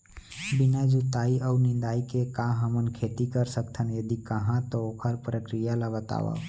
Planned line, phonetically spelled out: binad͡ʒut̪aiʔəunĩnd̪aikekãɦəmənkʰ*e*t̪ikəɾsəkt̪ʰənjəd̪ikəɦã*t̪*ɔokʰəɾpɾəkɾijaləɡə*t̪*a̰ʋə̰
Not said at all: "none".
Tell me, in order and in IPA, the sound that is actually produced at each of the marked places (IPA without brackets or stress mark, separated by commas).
e, t̪, t̪